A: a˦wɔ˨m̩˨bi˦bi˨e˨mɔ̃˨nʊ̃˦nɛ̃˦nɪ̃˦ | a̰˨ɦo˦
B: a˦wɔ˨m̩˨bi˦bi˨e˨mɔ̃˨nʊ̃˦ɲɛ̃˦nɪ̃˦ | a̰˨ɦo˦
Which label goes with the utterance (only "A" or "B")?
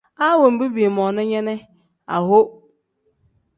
B